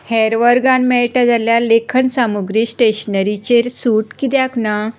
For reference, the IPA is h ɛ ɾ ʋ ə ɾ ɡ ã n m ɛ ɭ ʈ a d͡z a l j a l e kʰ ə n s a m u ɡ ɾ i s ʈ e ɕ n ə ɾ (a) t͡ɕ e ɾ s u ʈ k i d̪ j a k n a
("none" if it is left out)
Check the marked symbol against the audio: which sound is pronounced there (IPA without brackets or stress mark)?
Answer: i